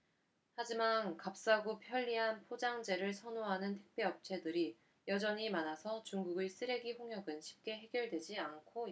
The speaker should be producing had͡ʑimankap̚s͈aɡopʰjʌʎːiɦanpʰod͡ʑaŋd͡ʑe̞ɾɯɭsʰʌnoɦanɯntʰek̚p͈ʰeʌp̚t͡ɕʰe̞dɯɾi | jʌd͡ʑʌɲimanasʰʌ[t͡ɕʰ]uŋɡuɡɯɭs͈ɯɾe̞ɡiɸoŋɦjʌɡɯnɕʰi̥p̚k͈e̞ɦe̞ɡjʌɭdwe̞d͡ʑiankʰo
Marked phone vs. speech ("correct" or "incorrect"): incorrect